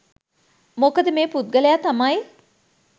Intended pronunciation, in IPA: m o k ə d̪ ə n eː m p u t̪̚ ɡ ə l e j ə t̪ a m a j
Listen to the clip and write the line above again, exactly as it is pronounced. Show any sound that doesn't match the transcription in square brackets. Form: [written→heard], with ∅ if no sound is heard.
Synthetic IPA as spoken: m o k ə d̪ ə [n→m] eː [m→∅] p u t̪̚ ɡ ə l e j [ə→a] t̪ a m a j